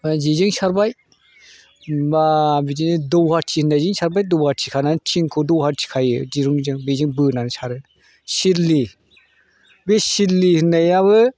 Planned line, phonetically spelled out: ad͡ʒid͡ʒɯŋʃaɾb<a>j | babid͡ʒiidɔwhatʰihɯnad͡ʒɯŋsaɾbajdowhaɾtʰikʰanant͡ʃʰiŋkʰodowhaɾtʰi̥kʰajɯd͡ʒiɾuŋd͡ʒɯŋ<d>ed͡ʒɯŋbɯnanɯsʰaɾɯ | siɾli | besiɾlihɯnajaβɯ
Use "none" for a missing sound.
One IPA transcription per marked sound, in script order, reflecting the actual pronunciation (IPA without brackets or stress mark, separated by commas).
a, b